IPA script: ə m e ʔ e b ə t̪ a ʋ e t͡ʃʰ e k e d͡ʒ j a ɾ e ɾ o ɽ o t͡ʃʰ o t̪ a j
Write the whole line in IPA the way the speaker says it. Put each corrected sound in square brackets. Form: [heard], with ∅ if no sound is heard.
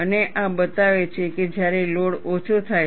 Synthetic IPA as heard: ə [n] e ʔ [a] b ə t̪ a ʋ e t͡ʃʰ e k e d͡ʒ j a ɾ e [l] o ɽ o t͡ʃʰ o [t̪ʰ] a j